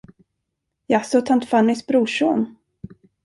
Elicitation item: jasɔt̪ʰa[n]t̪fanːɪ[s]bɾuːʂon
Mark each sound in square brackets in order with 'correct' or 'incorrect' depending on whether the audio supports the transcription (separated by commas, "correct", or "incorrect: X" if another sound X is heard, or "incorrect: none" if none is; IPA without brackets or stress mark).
correct, correct